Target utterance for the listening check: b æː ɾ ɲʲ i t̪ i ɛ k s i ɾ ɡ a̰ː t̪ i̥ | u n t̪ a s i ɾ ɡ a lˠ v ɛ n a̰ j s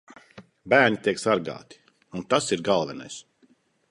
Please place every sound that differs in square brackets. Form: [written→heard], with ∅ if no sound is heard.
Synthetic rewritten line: b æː ɾ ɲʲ i t̪ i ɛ k s [i→a] ɾ ɡ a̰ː t̪ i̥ | u n t̪ a s i ɾ ɡ a lˠ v ɛ n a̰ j s